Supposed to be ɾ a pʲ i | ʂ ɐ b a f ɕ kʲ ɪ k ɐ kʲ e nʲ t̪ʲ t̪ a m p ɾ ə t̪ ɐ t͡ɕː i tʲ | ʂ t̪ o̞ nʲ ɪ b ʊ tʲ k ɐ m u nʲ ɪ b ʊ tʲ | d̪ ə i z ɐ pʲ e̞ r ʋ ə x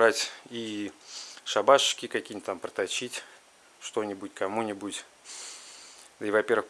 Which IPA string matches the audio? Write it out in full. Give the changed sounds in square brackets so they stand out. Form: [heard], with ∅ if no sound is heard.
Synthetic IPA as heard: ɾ a [tʲ] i | ʂ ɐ b a [ʂ] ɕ kʲ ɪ k ɐ kʲ [i] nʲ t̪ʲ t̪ a m p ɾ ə t̪ ɐ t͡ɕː i tʲ | ʂ t̪ o̞ nʲ ɪ b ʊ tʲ k ɐ m u nʲ ɪ b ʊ tʲ | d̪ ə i [v] ɐ pʲ e̞ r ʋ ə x